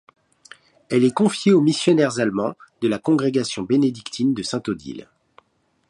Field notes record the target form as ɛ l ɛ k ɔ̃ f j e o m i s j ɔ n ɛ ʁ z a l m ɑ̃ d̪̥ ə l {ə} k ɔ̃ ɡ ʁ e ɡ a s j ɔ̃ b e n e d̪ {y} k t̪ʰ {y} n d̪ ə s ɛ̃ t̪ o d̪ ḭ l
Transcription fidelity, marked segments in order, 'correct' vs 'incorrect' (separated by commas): incorrect, incorrect, incorrect